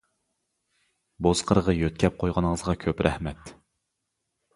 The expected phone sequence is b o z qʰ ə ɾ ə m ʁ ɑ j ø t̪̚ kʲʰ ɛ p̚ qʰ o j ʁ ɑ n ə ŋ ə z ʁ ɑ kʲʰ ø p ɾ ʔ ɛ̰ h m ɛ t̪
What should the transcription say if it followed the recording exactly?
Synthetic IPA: b o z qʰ ə ɾ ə ʁ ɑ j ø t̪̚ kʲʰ ɛ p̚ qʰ o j ʁ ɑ n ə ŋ ə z ʁ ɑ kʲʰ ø p ɾ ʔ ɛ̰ h m ɛ t̪